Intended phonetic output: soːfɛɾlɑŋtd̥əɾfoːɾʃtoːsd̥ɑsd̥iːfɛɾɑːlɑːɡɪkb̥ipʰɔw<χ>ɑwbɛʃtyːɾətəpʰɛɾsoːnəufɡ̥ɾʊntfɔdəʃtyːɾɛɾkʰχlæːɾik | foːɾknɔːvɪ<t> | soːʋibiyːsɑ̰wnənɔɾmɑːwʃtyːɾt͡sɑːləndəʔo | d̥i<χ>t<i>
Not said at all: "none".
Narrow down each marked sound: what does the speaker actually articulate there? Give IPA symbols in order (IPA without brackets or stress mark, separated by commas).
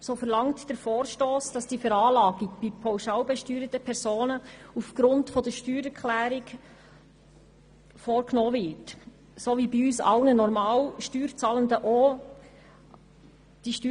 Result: ʃ, t, ʃ, y